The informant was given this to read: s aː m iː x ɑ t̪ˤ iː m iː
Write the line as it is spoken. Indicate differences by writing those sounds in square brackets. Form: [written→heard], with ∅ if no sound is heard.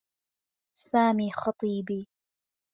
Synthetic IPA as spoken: s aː m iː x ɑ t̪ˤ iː [m→b] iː